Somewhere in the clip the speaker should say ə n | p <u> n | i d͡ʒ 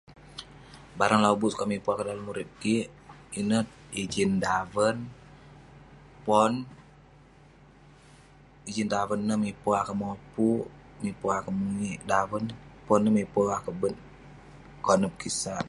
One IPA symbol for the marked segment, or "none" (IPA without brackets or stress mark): ɔ